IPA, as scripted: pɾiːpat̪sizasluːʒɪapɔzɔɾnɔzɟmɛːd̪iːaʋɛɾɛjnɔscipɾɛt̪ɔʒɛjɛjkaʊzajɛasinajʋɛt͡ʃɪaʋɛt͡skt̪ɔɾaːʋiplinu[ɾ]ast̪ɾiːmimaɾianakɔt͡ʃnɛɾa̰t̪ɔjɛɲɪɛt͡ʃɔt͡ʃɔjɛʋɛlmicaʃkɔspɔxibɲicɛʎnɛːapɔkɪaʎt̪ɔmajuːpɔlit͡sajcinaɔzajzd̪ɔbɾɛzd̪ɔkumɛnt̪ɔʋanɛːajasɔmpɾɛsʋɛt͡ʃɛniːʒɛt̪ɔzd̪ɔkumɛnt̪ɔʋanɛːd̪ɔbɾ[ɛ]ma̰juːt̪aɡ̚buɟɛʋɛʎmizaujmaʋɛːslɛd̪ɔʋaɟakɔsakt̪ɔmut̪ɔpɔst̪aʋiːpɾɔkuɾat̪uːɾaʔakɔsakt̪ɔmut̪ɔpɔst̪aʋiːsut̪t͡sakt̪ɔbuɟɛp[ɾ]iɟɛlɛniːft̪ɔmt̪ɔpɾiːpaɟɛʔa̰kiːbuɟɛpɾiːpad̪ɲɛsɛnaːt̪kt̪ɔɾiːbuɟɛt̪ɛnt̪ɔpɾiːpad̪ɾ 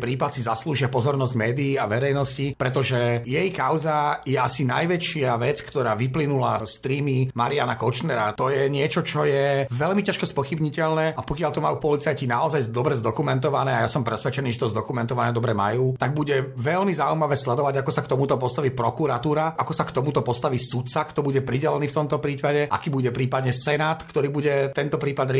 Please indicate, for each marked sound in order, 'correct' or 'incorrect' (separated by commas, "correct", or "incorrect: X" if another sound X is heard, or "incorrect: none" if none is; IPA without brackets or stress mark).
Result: incorrect: l, correct, correct